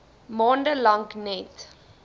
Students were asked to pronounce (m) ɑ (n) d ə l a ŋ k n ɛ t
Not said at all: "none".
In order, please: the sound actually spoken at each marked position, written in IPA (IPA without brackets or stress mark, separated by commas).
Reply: m, n